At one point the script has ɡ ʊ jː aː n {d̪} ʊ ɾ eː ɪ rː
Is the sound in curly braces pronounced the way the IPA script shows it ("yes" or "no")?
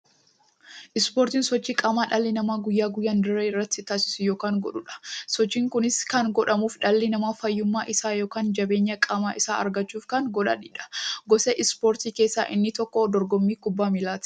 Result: yes